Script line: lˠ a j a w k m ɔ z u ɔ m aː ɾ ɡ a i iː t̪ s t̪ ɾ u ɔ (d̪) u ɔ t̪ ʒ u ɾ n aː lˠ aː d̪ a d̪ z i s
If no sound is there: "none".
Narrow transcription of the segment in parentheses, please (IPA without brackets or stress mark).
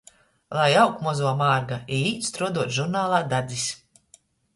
d̪